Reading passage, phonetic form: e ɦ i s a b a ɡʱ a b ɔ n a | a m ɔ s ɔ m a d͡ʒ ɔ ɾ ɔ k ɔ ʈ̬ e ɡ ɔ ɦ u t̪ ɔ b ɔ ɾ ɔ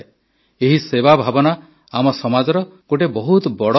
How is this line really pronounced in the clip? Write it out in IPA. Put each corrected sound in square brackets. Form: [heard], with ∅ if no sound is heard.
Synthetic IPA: e ɦ i s [e] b a [bʱ] a b ɔ n a | a m ɔ s ɔ m a d͡ʒ ɔ ɾ ɔ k [o] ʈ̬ e [b] ɔ ɦ u t̪ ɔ b ɔ [ɽ] ɔ

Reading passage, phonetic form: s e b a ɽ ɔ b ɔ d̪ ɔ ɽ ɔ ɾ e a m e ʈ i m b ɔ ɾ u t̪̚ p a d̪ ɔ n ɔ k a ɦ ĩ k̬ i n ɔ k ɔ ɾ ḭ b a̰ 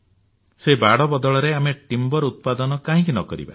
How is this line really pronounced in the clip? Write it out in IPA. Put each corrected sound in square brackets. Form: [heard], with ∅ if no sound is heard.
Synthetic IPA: s e b a ɽ ɔ b ɔ d̪ ɔ [ɭ] ɔ ɾ e a m e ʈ i m b ɔ ɾ u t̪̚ p a d̪ ɔ n ɔ k a ɦ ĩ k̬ i n ɔ k ɔ ɾ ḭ b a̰

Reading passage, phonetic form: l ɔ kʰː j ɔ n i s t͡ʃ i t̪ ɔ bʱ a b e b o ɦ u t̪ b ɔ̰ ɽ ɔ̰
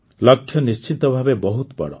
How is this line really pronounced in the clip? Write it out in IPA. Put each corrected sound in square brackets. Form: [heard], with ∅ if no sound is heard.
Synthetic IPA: l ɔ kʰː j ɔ n i s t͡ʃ i t̪ ɔ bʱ a b e b [ɔ] ɦ u t̪ b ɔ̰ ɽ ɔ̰

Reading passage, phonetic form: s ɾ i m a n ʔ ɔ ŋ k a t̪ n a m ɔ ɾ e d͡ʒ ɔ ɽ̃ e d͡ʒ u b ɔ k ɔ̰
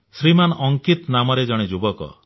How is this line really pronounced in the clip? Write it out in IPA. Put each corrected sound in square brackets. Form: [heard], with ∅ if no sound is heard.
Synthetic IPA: s ɾ i m a n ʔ ɔ ŋ k [i] t̪ n a m ɔ ɾ e d͡ʒ ɔ ɽ̃ e d͡ʒ u b ɔ k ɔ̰

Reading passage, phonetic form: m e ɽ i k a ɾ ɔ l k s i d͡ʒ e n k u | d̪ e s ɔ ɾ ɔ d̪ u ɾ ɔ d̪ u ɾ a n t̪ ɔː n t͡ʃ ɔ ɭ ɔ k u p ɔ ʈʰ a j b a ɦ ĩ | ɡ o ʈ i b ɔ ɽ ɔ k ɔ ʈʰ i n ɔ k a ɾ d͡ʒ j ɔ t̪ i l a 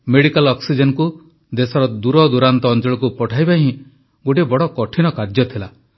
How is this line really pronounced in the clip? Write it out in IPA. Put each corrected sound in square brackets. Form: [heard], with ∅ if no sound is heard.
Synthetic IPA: m e ɽ i k a [l] ɔ [∅] k s i d͡ʒ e n k u | d̪ e s ɔ ɾ ɔ d̪ u ɾ ɔ d̪ u ɾ a n t̪ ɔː n t͡ʃ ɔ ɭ ɔ k u p ɔ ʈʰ a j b a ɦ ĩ | ɡ o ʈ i b ɔ ɽ ɔ k ɔ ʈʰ i n ɔ k a ɾ d͡ʒ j ɔ [t̪ʰ] i l a

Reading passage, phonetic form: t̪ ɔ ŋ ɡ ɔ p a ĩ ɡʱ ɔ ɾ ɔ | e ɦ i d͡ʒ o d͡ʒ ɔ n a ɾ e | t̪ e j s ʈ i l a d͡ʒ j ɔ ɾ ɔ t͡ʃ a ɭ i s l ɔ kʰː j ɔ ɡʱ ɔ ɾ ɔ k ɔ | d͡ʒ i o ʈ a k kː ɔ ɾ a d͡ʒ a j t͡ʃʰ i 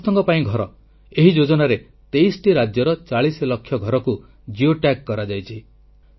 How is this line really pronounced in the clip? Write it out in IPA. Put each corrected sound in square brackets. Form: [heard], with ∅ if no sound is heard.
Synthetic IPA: t̪ ɔ ŋ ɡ ɔ p a ĩ ɡʱ ɔ ɾ ɔ | e ɦ i d͡ʒ o d͡ʒ ɔ n a ɾ e | t̪ e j s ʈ i [ɾ] a d͡ʒ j ɔ ɾ ɔ t͡ʃ a ɭ i s l ɔ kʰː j ɔ ɡʱ ɔ ɾ ɔ k [u] | d͡ʒ i o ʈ a k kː ɔ ɾ a d͡ʒ a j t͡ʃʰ i

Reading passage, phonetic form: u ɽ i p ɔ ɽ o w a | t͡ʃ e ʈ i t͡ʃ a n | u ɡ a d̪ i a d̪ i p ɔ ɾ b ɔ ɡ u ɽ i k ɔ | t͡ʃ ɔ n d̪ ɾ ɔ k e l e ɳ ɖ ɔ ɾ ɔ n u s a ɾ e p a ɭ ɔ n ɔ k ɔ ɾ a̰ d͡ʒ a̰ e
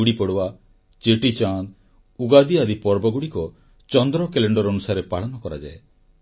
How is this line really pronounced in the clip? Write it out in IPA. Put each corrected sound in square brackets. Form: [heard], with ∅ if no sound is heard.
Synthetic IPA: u ɽ i p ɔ ɽ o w a | t͡ʃ e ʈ i t͡ʃ a n | u ɡ a d̪ i a d̪ i p ɔ ɾ b ɔ ɡ u ɽ i k ɔ | t͡ʃ ɔ n d̪ ɾ ɔ k e l e ɳ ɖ ɔ ɾ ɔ n u s a ɾ e p a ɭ ɔ n ɔ k ɔ ɾ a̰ d͡ʒ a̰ e

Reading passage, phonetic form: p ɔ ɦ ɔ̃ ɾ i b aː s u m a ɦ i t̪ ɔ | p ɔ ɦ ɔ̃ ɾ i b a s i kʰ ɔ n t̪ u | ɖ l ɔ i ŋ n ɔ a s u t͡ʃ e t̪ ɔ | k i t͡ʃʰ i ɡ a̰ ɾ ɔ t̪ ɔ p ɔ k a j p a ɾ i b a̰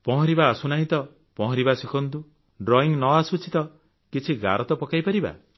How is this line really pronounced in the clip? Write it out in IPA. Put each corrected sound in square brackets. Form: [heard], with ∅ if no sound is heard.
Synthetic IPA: p ɔ ɦ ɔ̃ ɾ i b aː s u [n] a ɦ i t̪ ɔ | p ɔ ɦ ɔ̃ ɾ i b a s i kʰ ɔ n t̪ u | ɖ [ɾ] ɔ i ŋ n ɔ a s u t͡ʃ [i] t̪ ɔ | k i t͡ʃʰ i ɡ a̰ ɾ ɔ t̪ ɔ p ɔ k a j p a ɾ i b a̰

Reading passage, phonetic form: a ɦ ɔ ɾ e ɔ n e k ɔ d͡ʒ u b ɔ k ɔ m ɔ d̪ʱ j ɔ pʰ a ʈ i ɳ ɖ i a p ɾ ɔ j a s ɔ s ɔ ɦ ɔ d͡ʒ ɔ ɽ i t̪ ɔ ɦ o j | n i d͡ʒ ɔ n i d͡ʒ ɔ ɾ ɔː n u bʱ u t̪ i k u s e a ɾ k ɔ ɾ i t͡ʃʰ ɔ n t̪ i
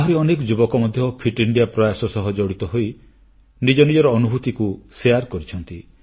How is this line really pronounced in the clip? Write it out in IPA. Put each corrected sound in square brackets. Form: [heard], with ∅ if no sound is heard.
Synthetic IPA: a ɦ ɔ ɾ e ɔ n e k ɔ d͡ʒ u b ɔ k ɔ m ɔ d̪ʱ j ɔ pʰ [i] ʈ i ɳ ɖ i a p ɾ ɔ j a s ɔ s ɔ ɦ ɔ d͡ʒ ɔ ɽ i t̪ ɔ ɦ o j | n i d͡ʒ ɔ n i d͡ʒ ɔ ɾ ɔː n u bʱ u t̪ i k u s e a ɾ k ɔ ɾ i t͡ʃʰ ɔ n t̪ i

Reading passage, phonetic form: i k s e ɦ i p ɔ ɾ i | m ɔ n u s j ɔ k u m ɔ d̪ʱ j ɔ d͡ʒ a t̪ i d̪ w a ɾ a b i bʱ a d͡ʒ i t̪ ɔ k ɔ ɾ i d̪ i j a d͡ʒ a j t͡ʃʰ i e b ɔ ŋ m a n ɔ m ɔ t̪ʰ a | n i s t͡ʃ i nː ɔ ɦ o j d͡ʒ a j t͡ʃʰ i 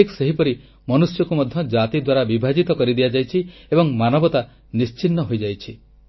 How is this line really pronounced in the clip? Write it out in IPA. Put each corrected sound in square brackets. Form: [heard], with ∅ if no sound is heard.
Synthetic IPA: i k s e ɦ i p ɔ ɾ i | m ɔ n u s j ɔ k u m ɔ d̪ʱ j ɔ d͡ʒ a t̪ i d̪ w a ɾ a b i bʱ a d͡ʒ i t̪ ɔ k ɔ ɾ i d̪ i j a d͡ʒ a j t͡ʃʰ i e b ɔ ŋ m a n ɔ [b] ɔ [t̪] a | n i s t͡ʃ i nː ɔ ɦ o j d͡ʒ a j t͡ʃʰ i

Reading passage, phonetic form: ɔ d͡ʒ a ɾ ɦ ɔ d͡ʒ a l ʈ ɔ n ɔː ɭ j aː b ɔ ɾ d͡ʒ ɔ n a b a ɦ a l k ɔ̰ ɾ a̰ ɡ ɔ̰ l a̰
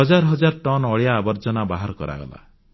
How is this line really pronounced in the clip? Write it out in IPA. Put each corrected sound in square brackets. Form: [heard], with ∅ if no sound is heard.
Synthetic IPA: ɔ d͡ʒ a ɾ ɦ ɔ d͡ʒ a [ɾ] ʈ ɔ n [ɔ] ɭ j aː b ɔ ɾ d͡ʒ ɔ n a b a ɦ a [ɾ] k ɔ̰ ɾ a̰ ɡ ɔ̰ l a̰

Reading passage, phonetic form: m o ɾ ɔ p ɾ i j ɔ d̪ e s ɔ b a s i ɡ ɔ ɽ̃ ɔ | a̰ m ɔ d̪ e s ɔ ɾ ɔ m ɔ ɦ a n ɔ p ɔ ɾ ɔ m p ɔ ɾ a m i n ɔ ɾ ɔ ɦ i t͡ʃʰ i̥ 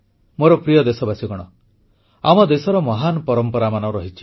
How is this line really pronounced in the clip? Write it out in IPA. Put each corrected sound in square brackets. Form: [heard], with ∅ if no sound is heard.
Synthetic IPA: m o ɾ ɔ p ɾ i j ɔ d̪ e s ɔ b a s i ɡ ɔ ɽ̃ ɔ | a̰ m ɔ d̪ e s ɔ ɾ ɔ m ɔ ɦ a n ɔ p ɔ ɾ ɔ m p ɔ ɾ a m [a] n ɔ ɾ ɔ ɦ i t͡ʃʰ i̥

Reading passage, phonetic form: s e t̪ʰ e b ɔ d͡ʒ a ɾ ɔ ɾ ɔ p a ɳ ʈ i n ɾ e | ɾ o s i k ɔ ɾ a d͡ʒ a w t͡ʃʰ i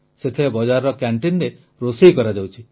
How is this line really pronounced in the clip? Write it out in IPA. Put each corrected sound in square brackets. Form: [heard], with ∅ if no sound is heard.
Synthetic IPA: s e t̪ʰ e b ɔ d͡ʒ a ɾ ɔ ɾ ɔ [k] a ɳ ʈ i n ɾ e | ɾ o s i k ɔ ɾ a d͡ʒ a w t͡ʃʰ i

